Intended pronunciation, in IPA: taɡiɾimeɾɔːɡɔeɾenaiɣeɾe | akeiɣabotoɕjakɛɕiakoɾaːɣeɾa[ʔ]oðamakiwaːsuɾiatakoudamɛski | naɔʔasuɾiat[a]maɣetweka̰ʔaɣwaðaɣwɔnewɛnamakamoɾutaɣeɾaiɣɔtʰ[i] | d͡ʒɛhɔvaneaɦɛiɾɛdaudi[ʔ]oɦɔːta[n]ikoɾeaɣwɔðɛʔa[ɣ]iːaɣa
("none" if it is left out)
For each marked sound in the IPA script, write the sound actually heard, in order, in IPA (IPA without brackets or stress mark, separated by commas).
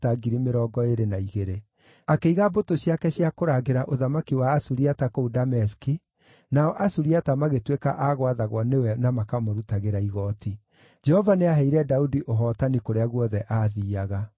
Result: ʔ, a, i, ʔ, n, ð